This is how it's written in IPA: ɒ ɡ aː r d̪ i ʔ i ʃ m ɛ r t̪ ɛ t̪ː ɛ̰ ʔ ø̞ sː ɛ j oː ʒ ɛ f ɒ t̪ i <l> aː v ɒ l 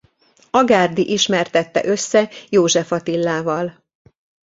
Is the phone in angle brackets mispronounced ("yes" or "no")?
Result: yes